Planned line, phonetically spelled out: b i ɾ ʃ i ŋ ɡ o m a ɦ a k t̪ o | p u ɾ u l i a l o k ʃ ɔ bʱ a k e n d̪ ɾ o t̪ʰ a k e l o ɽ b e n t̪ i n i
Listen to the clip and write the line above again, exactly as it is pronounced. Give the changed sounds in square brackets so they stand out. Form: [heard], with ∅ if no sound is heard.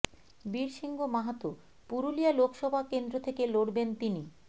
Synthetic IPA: b i ɾ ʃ i ŋ ɡ o m a ɦ a [∅] t̪ o | p u ɾ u l i a l o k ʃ ɔ bʱ a k e n d̪ ɾ o t̪ʰ [e] k e l o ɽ b e n t̪ i n i